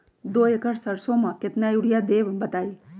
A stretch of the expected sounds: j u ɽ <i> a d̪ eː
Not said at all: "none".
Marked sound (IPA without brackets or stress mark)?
j